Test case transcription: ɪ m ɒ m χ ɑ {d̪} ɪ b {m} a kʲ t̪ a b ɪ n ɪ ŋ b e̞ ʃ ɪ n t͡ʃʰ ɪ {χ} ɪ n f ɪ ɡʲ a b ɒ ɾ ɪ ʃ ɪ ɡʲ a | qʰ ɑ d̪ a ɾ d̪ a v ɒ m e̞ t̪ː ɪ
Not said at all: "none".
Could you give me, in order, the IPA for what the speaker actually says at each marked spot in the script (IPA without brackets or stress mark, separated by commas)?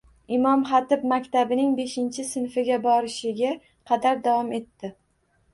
t̪, m, s